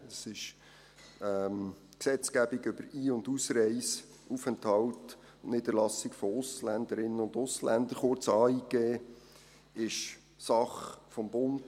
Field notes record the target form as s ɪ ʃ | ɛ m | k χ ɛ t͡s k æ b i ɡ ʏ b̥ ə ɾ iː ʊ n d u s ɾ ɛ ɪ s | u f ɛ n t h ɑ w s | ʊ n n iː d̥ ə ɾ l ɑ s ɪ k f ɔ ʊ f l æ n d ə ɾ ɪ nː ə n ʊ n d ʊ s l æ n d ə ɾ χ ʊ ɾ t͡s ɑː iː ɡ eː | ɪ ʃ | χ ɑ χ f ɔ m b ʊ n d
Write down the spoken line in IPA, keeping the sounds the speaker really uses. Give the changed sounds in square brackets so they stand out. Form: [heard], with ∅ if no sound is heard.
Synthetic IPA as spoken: s ɪ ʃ | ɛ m | k [s] ɛ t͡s k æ b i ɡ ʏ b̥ ə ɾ iː ʊ n d u s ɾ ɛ ɪ s | u f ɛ n t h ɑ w [t] | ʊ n n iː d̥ ə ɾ l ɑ s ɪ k f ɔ ʊ [s] l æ n d ə ɾ ɪ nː ə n ʊ n d ʊ s l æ n d ə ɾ χ ʊ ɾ t͡s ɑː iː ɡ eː | ɪ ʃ | [s] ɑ χ f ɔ m b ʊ n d